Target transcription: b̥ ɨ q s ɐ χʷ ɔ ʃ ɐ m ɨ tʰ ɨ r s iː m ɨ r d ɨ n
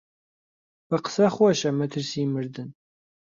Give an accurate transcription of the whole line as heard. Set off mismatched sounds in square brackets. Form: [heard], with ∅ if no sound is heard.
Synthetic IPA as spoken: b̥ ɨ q s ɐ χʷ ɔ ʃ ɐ m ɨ tʰ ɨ r s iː m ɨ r d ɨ n